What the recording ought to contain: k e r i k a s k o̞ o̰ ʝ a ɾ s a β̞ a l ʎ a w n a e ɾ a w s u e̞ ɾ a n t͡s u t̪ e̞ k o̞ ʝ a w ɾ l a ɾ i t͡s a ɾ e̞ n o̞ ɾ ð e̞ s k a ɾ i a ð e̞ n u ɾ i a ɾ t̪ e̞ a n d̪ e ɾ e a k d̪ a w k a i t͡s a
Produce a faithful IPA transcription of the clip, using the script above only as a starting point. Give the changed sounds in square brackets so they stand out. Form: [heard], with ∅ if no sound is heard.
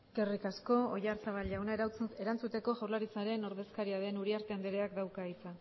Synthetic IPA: k e r i k a s k o̞ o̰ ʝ a ɾ s a β̞ a l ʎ a w n a e ɾ a w [t͡s] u e̞ ɾ a n t͡s u t̪ e̞ k o̞ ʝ a w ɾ l a ɾ i t͡s a ɾ e̞ n o̞ ɾ ð e̞ s k a ɾ i a ð e̞ n u ɾ i a ɾ t̪ e̞ a n d̪ e ɾ e a k d̪ a w k a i t͡s a